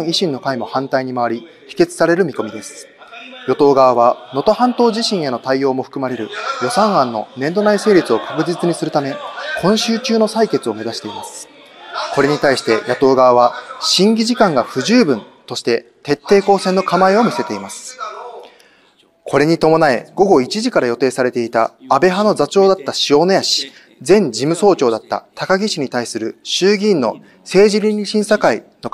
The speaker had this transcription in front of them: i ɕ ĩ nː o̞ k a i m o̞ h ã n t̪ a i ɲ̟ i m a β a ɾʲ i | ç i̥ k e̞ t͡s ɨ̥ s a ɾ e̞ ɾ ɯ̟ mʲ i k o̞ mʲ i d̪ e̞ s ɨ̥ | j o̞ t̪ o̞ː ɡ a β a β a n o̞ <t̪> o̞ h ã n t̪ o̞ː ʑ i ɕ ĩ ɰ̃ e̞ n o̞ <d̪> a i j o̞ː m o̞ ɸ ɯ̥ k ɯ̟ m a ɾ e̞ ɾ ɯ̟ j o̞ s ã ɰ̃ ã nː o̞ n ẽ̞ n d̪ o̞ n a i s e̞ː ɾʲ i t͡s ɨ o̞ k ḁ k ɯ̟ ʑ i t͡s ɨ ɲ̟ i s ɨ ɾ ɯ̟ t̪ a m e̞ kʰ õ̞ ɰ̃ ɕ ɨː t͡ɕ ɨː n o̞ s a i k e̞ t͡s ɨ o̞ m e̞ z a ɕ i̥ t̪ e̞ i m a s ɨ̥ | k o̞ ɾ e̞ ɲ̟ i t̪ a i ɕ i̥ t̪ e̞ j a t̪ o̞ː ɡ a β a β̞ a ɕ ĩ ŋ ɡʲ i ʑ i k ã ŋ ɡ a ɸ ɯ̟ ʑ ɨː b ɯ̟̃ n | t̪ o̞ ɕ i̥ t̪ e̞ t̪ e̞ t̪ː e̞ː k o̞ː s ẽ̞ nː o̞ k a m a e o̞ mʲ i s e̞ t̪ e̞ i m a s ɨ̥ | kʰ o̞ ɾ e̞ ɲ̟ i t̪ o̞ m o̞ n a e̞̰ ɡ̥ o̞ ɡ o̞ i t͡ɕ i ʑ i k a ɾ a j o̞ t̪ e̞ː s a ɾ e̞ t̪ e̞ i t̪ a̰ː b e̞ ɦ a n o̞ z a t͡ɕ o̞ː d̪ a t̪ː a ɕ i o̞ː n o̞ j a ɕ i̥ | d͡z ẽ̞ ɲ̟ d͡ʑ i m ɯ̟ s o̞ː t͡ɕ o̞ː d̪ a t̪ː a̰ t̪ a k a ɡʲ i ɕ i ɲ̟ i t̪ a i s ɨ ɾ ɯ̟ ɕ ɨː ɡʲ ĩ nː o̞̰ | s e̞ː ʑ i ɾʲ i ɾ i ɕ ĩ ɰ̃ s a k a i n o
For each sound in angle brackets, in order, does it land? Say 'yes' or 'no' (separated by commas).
yes, no